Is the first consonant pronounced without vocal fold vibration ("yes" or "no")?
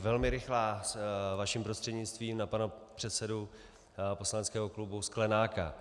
no